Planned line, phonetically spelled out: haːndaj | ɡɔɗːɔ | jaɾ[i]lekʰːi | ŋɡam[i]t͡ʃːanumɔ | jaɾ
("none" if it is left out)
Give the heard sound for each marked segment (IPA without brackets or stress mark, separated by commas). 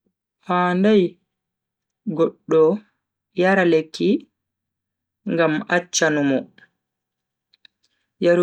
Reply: a, a